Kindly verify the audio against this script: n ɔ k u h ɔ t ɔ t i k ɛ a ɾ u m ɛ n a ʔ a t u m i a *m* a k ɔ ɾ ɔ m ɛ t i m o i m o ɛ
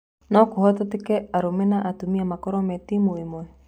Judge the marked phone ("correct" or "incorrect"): correct